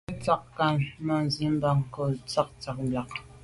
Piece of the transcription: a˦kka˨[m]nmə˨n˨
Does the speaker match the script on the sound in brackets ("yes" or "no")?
no